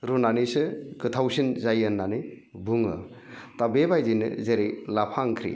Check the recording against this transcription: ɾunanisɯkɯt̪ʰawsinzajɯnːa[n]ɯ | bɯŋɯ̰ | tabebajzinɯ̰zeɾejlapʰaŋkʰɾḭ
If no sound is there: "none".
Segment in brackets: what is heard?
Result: n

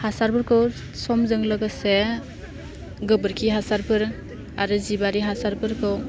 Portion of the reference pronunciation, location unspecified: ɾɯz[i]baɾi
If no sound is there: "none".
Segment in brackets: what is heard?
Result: i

